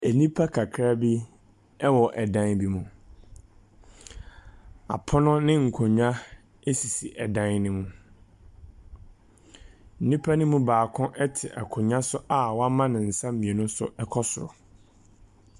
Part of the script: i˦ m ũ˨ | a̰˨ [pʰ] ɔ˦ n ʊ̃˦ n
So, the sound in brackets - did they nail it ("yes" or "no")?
yes